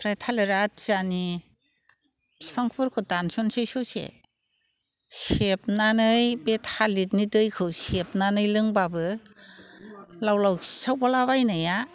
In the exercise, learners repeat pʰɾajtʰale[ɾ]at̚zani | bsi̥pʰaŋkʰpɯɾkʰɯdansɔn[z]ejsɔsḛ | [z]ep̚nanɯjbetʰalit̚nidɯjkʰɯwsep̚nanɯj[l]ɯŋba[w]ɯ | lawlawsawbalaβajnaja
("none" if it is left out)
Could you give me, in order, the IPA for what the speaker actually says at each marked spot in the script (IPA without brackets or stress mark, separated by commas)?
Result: ɾ, s, s, l, b